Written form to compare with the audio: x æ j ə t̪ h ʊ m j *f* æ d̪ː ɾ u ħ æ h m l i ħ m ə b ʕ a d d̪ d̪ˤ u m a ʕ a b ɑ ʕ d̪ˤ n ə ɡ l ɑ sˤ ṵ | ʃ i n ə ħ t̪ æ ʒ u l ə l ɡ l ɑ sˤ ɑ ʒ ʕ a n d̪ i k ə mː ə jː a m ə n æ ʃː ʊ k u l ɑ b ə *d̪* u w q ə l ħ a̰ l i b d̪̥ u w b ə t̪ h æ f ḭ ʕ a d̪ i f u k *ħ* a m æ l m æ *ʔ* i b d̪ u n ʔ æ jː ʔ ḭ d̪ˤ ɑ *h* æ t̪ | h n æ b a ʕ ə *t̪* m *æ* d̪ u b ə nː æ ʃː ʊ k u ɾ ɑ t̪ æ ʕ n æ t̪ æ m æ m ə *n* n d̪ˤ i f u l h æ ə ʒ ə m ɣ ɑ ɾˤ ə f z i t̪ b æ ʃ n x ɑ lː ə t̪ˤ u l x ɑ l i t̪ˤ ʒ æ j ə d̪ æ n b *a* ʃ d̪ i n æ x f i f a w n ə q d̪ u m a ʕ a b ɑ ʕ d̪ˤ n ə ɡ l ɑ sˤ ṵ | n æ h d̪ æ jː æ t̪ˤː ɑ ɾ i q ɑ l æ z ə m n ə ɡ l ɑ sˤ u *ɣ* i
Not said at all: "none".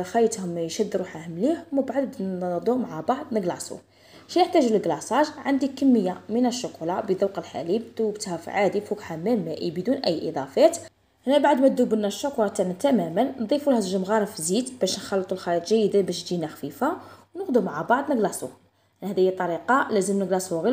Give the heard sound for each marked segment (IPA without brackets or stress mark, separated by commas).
ʃ, d̪, ħ, ʔ, f, d̪, æ, n, æ, ɣ